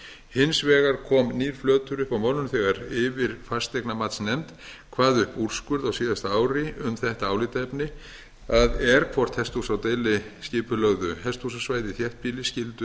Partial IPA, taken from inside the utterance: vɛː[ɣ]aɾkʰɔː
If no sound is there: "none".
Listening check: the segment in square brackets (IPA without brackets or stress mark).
ɣ